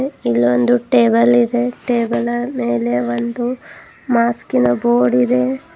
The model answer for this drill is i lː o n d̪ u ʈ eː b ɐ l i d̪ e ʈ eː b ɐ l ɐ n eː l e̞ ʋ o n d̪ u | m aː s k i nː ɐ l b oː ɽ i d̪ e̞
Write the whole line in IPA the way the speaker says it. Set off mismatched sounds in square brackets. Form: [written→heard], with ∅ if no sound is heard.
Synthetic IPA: i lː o n d̪ u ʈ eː b ɐ l i d̪ e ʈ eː b ɐ l ɐ [n→m] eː l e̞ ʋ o n d̪ u | m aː s k i [nː→n] ɐ [l→∅] b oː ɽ i d̪ e̞